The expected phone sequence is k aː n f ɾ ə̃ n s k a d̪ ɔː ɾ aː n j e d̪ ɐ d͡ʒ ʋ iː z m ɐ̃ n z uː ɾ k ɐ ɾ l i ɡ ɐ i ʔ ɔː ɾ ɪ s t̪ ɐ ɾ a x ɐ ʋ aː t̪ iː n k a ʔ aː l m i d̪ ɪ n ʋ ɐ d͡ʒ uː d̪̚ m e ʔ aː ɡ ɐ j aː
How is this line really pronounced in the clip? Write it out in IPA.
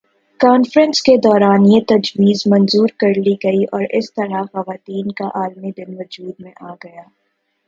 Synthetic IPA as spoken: k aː n f ɾ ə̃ n s k e d̪ ɔː ɾ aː n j e t̪ ɐ d͡ʒ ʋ iː z m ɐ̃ n z uː ɾ k ɐ ɾ l i ɡ ɐ i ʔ ɔː ɾ ɪ s t̪ ɐ ɾ a x ɐ ʋ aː t̪ iː n k a ʔ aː l m i d̪ ɪ n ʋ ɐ d͡ʒ uː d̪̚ m ẽ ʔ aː ɡ ɐ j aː